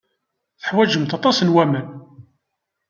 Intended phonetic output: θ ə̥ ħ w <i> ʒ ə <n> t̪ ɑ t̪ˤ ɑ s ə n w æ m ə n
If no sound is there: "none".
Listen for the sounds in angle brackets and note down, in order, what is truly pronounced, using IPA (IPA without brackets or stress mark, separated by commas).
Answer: æ, m